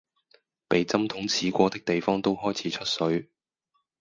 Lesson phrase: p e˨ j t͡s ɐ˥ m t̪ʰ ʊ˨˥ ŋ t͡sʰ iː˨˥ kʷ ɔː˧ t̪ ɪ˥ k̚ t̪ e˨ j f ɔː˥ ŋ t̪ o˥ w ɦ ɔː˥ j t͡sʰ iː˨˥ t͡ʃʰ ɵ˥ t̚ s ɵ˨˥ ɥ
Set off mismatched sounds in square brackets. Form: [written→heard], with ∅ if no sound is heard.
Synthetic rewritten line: p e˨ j t͡s ɐ˥ m t̪ʰ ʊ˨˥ ŋ t͡sʰ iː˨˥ kʷ ɔː˧ t̪ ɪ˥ k̚ t̪ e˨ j f ɔː˥ ŋ t̪ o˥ w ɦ ɔː˥ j t͡sʰ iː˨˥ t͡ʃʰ ɵ˥ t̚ s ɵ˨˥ ɥ